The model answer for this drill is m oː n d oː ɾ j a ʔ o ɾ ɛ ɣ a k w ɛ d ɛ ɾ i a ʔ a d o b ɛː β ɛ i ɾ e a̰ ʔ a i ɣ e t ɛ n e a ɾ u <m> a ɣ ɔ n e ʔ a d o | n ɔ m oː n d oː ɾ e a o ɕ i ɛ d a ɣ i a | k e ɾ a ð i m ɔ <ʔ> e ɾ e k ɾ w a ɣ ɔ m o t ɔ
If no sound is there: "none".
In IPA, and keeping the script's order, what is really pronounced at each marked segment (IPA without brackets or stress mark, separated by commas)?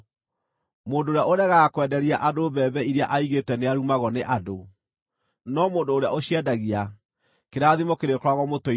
m, k